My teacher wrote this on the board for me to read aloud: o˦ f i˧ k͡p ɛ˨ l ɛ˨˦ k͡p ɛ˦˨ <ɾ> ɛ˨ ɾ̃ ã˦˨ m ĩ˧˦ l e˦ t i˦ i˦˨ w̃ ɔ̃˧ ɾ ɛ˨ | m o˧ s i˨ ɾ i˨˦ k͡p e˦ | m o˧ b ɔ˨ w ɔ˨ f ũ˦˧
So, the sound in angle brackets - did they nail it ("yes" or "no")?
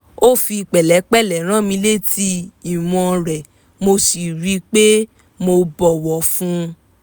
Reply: no